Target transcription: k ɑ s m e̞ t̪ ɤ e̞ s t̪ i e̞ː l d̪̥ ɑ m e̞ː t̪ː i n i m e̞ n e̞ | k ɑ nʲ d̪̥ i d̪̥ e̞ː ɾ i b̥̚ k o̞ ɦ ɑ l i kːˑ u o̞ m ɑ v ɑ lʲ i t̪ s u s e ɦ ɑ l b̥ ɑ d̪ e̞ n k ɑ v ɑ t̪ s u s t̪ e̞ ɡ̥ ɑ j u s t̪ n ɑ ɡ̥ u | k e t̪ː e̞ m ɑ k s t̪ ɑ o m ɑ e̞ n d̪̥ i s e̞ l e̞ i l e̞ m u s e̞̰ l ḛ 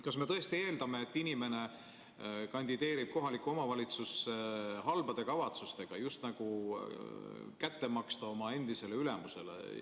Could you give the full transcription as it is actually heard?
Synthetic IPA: k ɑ s m e̞ t̪ ɤ e̞ s t̪ i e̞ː l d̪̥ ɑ m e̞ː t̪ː i n i m e̞ n e̞ | k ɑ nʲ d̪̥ i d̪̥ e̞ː ɾ i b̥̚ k o̞ ɦ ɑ l i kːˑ u o̞ m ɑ v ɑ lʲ i t̪ s u s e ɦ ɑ l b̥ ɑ d̪ e̞ k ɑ v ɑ t̪ s u s t̪ e̞ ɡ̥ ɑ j u s t̪ n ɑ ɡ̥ u | k æ t̪ː e̞ m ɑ k s t̪ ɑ o m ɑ e̞ n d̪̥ i s e̞ l e̞ y l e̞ m u s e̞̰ l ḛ